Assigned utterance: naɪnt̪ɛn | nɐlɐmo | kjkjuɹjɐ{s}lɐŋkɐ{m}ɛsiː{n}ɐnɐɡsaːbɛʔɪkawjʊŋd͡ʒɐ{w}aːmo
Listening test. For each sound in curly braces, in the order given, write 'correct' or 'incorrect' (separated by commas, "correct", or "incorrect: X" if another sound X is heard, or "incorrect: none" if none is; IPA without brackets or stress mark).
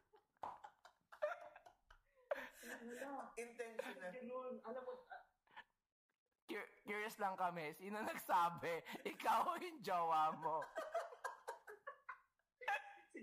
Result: correct, correct, correct, correct